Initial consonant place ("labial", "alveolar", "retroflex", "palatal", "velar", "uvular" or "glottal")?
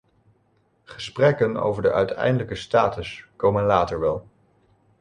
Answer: uvular